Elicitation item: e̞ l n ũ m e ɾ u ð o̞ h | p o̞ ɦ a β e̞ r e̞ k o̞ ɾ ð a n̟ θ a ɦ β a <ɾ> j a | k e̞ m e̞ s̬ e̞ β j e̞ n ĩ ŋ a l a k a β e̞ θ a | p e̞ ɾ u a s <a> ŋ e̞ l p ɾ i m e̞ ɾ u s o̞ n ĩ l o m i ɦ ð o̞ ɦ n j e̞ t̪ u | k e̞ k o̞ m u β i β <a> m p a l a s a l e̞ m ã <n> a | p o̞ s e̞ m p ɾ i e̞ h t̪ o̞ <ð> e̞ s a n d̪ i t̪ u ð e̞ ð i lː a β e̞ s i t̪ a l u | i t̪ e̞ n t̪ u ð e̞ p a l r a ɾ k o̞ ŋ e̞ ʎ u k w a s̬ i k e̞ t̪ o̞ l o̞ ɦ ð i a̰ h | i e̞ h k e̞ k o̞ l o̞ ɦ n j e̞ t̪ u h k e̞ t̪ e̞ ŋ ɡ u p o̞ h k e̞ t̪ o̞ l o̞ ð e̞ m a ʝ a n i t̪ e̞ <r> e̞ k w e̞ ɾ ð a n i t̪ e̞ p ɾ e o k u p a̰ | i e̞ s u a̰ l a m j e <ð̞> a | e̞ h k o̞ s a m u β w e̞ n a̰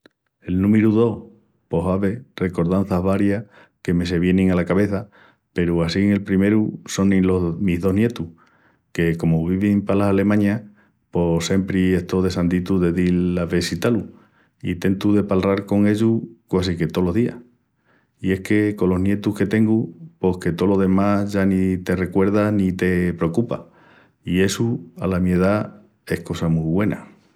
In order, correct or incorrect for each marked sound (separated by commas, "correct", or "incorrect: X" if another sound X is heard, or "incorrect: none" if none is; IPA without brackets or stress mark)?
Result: correct, incorrect: i, incorrect: i, incorrect: ɲ, correct, correct, correct